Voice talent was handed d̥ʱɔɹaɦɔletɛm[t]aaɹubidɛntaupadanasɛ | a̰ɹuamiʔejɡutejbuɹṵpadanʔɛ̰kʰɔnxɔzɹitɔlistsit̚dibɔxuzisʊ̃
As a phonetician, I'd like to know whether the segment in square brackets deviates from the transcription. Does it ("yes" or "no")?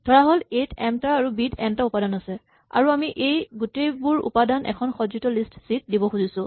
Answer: no